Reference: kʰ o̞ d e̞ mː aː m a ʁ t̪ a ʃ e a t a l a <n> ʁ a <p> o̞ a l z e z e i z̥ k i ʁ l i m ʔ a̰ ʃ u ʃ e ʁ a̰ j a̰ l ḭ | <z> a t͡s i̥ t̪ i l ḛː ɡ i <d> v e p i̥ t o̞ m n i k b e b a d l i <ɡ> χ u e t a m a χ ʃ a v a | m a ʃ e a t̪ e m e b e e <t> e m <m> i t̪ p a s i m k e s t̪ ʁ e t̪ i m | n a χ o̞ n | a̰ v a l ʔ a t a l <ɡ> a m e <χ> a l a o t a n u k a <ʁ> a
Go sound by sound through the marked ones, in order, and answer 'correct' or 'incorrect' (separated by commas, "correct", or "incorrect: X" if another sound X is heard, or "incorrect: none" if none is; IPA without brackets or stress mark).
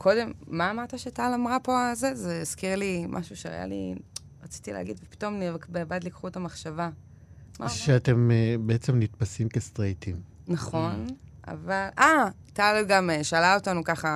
incorrect: m, correct, incorrect: ʁ, correct, incorrect: k, incorrect: t͡s, incorrect: n, correct, incorrect: ʃ, incorrect: χ